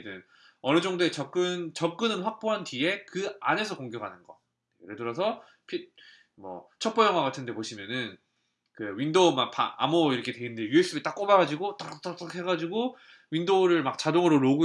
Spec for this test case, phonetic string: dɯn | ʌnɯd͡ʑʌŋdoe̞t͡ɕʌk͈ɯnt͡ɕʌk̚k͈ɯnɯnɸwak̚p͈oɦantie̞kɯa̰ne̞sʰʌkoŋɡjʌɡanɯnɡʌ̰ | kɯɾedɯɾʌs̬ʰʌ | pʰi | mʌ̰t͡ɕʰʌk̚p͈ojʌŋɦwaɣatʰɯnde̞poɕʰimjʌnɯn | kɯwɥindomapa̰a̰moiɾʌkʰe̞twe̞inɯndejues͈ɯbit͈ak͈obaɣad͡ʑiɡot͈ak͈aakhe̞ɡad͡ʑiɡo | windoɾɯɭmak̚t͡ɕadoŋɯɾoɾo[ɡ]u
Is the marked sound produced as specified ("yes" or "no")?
yes